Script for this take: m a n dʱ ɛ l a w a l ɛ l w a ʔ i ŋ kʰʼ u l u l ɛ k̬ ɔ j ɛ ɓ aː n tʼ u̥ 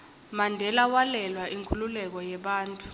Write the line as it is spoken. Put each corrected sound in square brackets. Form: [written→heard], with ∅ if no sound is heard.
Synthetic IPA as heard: m a n dʱ ɛ l a w a l ɛ l w a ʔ i ŋ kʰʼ u l u l ɛ k̬ ɔ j ɛ ɓ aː n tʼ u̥